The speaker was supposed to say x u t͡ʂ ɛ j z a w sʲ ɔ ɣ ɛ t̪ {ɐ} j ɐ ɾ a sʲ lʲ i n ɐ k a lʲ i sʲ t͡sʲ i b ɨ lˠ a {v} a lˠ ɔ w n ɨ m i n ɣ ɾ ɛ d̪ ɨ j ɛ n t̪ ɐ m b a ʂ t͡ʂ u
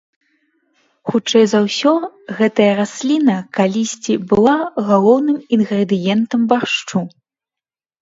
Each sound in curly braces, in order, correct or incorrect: correct, incorrect

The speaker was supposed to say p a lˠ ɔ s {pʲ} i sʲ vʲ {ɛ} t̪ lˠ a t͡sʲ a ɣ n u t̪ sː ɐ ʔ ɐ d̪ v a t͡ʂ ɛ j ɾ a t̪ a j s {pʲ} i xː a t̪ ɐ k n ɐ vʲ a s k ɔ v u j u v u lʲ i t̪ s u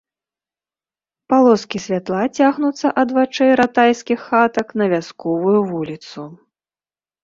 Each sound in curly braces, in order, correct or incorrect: incorrect, incorrect, incorrect

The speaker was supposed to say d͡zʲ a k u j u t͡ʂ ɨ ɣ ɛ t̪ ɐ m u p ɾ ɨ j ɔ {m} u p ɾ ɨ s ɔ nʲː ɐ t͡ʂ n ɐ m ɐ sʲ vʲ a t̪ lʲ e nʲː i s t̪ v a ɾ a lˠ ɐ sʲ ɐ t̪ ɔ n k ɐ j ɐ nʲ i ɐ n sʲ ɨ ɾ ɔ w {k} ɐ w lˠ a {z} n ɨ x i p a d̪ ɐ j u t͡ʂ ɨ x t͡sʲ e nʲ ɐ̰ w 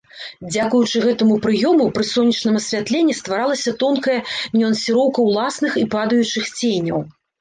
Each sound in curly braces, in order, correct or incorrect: correct, correct, incorrect

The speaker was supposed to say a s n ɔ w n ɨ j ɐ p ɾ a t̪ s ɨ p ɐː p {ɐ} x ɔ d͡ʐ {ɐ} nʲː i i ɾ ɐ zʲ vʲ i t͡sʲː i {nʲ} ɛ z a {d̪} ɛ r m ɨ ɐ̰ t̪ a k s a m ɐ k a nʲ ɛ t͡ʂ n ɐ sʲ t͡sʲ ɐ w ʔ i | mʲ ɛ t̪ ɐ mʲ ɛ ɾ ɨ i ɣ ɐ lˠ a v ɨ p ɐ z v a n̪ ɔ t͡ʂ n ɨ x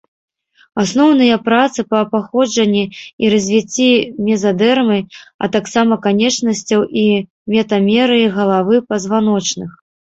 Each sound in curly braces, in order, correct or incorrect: incorrect, correct, incorrect, correct

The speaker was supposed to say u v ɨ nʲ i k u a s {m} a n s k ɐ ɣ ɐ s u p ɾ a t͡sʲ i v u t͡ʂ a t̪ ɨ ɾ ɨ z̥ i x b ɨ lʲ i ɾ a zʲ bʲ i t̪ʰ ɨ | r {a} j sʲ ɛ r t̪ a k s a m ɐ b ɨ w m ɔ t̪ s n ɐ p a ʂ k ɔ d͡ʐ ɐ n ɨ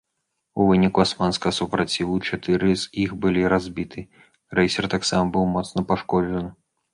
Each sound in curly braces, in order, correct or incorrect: correct, incorrect

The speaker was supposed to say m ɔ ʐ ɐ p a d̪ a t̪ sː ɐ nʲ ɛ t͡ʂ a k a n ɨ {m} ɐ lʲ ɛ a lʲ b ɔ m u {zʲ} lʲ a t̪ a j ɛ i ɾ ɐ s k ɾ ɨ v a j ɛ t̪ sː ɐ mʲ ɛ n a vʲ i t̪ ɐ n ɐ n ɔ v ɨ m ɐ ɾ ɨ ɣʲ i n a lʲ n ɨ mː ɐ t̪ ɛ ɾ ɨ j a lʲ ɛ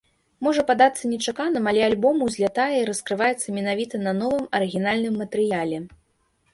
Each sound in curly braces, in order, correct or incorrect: correct, correct

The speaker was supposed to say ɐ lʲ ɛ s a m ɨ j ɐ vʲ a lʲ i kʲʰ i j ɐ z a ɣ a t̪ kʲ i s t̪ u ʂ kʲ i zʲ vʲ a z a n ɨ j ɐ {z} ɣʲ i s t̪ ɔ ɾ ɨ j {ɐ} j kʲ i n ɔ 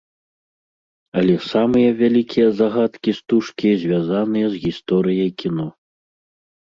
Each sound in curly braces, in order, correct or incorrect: correct, correct

